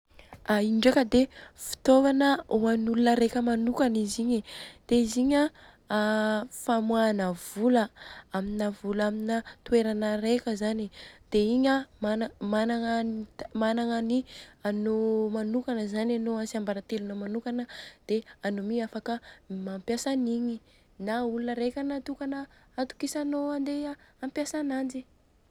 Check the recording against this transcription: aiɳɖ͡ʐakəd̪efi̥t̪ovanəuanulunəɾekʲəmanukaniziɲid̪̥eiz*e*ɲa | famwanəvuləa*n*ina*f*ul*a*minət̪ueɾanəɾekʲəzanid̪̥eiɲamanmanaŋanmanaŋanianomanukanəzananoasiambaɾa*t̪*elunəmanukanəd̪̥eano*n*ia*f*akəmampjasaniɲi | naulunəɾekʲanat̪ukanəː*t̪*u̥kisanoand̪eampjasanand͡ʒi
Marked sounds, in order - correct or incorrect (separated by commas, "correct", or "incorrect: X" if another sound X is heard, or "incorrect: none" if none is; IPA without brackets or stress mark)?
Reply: incorrect: i, incorrect: m, incorrect: v, correct, correct, incorrect: m, correct, correct